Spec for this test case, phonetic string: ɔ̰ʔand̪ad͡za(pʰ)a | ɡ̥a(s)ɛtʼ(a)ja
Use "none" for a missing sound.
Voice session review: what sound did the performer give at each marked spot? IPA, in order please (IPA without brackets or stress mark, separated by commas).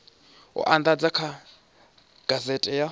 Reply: kʰ, z, ɛ